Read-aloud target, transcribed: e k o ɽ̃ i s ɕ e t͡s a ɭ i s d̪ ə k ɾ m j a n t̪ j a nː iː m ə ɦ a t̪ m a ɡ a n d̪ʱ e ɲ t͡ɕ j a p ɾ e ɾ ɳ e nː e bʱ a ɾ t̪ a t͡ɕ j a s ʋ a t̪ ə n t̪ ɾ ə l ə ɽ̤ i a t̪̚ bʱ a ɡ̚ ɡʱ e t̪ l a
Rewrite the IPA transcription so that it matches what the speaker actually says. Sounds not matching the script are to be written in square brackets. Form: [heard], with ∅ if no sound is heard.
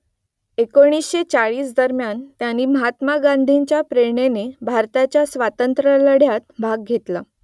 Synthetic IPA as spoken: e k o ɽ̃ i s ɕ e t͡s a ɭ [iː] s d̪ ə [∅] ɾ m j a n t̪ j a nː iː m ə ɦ a t̪ m a ɡ a n d̪ʱ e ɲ t͡ɕ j a p ɾ e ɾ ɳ e [n] e bʱ a ɾ t̪ a t͡ɕ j a s ʋ a t̪ ə n t̪ ɾ ə l ə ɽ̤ [j] a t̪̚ bʱ a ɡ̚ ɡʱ e t̪ l a

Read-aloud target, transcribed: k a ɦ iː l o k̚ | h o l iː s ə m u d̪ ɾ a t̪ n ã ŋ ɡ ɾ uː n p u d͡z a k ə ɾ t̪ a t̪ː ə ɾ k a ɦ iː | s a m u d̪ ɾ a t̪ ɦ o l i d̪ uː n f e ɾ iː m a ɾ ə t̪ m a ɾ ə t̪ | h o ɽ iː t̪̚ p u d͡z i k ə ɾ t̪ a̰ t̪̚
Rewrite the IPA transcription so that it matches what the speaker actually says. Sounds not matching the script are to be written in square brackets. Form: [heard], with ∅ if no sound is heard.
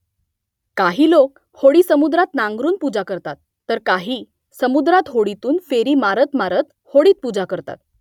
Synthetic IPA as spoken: k a ɦ iː l o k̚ | h o [ɽ] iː s ə m u d̪ ɾ a t̪ n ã ŋ ɡ ɾ uː n p u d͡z a k ə ɾ t̪ a t̪ː ə ɾ k a ɦ iː | s [ə] m u d̪ ɾ a t̪ ɦ o [ɽ] i [t̪] uː n f e ɾ iː m a ɾ ə t̪ m a ɾ ə t̪ | h o ɽ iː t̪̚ p u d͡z [a] k ə ɾ t̪ a̰ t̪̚

